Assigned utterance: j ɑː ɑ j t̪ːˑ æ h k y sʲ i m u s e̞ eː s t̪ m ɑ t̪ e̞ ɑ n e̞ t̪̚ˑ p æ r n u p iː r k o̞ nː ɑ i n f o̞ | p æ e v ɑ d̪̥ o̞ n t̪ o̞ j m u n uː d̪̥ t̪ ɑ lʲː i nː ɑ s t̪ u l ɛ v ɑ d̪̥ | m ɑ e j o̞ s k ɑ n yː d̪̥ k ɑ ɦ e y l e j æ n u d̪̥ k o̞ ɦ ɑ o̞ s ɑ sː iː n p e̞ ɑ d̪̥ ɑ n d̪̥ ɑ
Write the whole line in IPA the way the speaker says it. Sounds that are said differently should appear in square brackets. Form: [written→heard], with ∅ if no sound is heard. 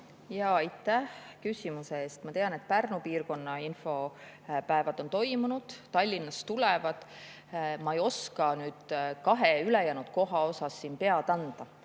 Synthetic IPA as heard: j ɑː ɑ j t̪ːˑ æ h k y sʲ i m u s e̞ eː s t̪ m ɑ t̪ e̞ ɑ n e̞ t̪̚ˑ p æ r n u p iː r k o̞ nː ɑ i n f o̞ | p æ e v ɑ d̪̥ o̞ n t̪ o̞ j m u n [uː→u] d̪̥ t̪ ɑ lʲː i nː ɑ s t̪ u l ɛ v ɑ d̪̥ | m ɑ e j o̞ s k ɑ n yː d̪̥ k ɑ ɦ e y l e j æ n u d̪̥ k o̞ ɦ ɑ o̞ s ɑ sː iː n p e̞ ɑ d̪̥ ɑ n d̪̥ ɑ